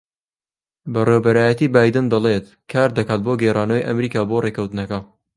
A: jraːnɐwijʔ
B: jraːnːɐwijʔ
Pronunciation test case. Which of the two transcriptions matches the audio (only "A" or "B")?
A